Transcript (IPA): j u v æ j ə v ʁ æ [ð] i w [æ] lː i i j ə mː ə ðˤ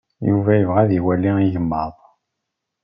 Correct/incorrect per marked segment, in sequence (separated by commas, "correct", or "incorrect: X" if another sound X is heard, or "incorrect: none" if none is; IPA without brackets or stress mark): correct, correct